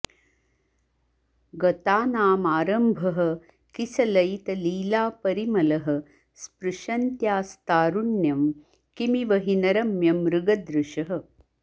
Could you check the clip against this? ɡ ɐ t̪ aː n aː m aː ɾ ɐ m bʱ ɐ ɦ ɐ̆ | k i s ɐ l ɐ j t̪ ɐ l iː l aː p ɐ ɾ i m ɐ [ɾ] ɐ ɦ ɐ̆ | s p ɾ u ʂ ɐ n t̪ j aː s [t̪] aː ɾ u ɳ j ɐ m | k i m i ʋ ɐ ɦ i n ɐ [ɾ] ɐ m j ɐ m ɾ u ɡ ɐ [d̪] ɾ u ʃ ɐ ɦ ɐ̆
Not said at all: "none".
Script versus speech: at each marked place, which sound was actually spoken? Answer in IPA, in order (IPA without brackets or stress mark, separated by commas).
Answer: l, t̪, ɾ, d̪